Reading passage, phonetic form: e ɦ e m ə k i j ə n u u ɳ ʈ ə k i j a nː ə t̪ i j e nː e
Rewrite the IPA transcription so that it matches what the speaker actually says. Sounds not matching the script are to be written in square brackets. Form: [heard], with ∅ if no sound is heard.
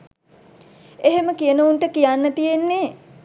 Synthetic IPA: e ɦ e m ə k i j ə n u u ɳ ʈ ə k i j a nː ə t̪ i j e nː e